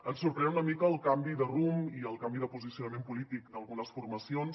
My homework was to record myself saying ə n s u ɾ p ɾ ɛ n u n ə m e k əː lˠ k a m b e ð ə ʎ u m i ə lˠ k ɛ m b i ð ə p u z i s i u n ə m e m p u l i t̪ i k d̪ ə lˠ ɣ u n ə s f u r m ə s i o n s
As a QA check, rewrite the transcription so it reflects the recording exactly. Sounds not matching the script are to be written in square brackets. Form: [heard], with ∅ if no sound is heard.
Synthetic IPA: ə n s u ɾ p ɾ ɛ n u n ə m [i] k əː lˠ k a m b [i] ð ə [r] u m i ə lˠ k [a] m b i ð ə p u z i s i u n ə m e m p u l i t̪ i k d̪ ə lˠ ɣ u n ə s f u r m ə s i o n s